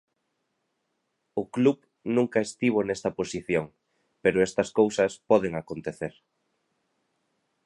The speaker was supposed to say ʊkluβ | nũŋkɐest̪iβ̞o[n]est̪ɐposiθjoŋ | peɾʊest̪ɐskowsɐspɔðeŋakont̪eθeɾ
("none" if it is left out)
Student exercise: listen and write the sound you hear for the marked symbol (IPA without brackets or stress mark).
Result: n